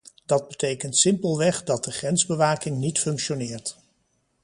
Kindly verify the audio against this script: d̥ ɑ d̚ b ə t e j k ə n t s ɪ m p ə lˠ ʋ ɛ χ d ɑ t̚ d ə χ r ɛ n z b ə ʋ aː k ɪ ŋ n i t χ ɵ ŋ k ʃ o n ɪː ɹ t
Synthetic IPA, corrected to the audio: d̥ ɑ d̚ b ə t e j k ə n t s ɪ m p ə lˠ ʋ ɛ χ d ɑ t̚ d ə χ r ɛ n z b ə ʋ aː k ɪ ŋ n i t f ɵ ŋ k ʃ o n ɪː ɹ t